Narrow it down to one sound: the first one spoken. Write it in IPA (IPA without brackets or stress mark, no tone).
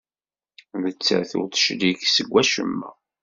ð